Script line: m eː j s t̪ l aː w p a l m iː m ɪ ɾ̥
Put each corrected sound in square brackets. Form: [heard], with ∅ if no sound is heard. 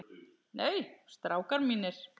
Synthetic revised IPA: [n] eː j s t̪ [ɾ] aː w [k] a [ɾ] m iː [n] ɪ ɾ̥